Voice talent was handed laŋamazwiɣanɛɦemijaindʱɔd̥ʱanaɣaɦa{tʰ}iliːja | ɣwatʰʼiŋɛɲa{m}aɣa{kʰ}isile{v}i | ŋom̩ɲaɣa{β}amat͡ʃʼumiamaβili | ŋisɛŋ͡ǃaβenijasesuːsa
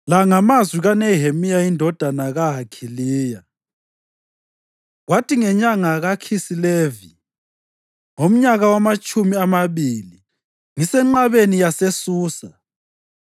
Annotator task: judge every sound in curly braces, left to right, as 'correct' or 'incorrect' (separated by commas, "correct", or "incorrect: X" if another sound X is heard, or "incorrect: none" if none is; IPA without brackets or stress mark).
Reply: incorrect: kʰ, incorrect: ŋ, correct, correct, incorrect: w